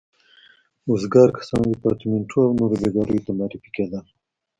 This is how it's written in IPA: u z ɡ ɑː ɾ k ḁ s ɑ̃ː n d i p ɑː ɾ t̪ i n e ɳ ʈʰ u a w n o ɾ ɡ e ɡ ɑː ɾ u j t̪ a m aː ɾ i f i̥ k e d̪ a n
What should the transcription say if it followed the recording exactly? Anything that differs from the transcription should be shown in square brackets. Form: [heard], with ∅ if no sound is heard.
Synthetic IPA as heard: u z ɡ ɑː ɾ k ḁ s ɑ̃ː n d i p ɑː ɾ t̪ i [m] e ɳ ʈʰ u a w n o ɾ [b] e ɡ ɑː ɾ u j t̪ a m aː ɾ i f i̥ k e d̪ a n

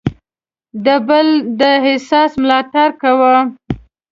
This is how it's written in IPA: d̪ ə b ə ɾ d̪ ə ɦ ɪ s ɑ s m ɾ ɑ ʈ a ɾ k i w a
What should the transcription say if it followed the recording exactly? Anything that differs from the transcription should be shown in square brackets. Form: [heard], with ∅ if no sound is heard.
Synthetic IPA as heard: d̪ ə b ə [l] d̪ ə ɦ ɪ s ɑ s m [l] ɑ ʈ a ɾ k [a] w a

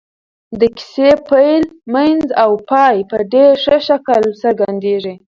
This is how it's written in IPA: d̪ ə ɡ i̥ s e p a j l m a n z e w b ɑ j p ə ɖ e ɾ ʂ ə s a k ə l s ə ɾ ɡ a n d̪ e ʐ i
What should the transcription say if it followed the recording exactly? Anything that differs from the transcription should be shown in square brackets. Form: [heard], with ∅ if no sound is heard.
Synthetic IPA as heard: d̪ ə [k] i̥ s e p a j l m a n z [a] w [p] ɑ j p ə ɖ e ɾ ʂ ə [ʃ] a k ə l s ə ɾ ɡ a n d̪ e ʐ i

